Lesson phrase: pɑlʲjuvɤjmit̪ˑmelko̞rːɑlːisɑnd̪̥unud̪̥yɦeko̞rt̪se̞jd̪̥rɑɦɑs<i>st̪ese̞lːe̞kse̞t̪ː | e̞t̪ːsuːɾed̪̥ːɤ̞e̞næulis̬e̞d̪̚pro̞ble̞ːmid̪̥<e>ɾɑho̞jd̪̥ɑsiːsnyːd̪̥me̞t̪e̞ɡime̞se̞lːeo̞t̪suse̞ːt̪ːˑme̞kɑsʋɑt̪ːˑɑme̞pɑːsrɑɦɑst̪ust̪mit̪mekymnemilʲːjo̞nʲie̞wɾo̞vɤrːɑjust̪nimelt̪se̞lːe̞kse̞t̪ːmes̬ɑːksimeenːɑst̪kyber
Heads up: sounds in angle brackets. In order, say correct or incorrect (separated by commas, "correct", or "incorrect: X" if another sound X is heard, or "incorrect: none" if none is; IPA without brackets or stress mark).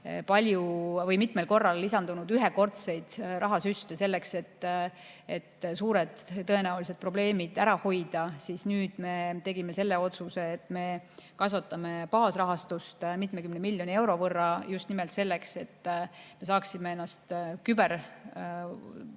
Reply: incorrect: y, incorrect: æ